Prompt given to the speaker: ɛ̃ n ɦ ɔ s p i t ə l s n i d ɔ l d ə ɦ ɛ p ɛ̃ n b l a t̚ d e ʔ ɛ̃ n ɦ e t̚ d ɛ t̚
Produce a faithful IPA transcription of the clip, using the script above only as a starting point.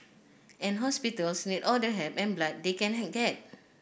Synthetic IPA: ɛ̃ n ɦ ɔ s p i t ə l s n i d ɔ l d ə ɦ ɛ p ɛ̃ n b l a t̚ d e k ɛ̃ n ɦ ɛ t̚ ɡ ɛ t̚